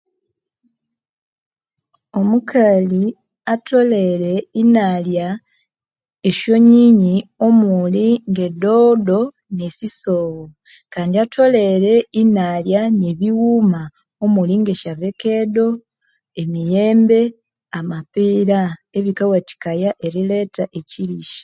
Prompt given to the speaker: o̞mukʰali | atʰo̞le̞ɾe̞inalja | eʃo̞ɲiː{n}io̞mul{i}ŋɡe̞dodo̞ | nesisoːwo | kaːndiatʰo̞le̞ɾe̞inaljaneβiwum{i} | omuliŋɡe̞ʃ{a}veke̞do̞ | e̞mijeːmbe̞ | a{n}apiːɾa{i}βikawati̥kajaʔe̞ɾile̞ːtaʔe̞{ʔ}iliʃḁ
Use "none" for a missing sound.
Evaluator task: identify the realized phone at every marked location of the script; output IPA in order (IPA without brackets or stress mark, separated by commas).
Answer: ɲ, i, a, a, m, e, c